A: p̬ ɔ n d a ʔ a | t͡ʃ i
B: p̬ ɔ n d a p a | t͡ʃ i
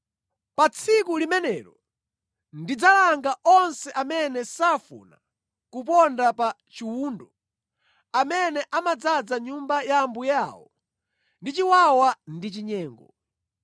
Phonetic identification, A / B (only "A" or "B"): B